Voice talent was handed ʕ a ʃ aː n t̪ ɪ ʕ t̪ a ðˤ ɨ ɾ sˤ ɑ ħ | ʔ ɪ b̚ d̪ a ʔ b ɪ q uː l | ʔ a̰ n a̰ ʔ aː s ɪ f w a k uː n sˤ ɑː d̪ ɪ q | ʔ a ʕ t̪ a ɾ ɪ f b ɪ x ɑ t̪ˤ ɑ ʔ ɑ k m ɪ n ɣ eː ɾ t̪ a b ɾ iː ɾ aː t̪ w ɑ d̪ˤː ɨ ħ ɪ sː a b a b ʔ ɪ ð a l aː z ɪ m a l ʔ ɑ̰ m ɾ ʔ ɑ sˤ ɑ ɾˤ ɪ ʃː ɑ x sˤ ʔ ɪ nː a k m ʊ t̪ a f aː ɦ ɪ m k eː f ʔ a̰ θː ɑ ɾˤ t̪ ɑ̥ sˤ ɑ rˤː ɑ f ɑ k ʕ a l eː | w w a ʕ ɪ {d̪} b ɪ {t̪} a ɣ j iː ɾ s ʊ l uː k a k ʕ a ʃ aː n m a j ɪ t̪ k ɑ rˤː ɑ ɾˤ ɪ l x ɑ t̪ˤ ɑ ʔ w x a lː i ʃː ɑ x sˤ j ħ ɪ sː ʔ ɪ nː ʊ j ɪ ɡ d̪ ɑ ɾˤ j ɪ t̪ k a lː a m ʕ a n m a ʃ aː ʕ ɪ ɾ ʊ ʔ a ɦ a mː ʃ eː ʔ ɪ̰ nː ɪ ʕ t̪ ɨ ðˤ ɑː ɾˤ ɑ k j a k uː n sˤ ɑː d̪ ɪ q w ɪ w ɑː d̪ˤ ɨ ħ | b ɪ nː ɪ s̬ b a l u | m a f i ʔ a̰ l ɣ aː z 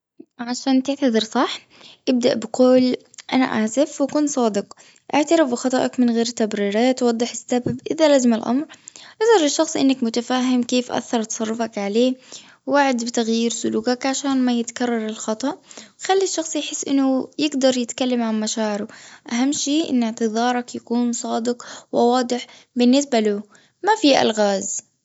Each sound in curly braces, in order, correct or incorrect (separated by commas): correct, correct